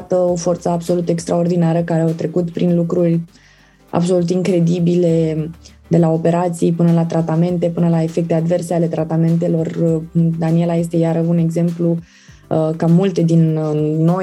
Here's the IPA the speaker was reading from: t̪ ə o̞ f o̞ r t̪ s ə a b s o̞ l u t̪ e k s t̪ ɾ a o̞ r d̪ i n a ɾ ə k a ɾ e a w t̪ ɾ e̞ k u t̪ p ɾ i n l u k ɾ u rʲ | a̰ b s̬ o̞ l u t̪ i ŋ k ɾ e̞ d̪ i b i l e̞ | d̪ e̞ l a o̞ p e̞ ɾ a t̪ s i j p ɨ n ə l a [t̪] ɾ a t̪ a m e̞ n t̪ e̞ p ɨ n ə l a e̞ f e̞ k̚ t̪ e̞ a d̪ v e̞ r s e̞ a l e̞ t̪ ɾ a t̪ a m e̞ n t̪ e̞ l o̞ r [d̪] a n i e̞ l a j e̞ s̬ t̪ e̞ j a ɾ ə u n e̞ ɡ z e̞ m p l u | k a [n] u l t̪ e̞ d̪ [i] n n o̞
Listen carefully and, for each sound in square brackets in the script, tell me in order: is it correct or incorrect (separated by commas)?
correct, correct, incorrect, correct